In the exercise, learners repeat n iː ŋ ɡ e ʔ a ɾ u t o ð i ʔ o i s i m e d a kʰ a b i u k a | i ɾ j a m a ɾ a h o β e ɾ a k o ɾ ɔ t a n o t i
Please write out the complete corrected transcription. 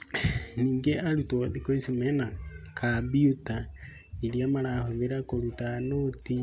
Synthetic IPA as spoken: n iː ŋ ɡ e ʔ a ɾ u t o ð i k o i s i m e n a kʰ a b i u t a | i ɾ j a m a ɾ a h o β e ɾ a k o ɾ u t a n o t i